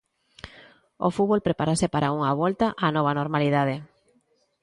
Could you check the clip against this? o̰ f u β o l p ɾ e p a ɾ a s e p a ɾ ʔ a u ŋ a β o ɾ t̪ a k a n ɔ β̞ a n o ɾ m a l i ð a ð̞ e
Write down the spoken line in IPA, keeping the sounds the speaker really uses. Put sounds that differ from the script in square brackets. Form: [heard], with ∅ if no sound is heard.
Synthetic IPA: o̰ f u β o l p ɾ e p a ɾ a s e p a ɾ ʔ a u ŋ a β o [l] t̪ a [ʔ] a n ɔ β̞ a n o ɾ m a l i ð a ð̞ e